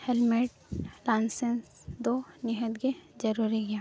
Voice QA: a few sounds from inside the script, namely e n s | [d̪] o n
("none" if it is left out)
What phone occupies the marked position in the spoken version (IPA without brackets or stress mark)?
d̪